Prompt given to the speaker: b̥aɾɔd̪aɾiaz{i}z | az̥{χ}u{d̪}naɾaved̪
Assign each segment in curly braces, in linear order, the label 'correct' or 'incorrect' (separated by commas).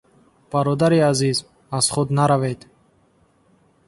correct, correct, correct